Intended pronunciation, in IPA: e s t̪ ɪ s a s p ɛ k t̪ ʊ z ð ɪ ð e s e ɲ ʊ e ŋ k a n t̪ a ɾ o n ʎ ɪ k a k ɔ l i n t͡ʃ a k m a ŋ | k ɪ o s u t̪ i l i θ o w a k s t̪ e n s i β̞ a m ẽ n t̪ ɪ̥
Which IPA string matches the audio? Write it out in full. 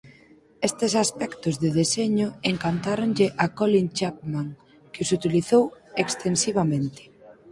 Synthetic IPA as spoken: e s t̪ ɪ s a s p ɛ k t̪ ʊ z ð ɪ ð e s e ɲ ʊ e ŋ k a n t̪ a ɾ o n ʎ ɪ ʔ a k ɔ l i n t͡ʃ a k m a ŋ | k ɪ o s u t̪ i l i θ o w e k s t̪ e n s i β̞ a m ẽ n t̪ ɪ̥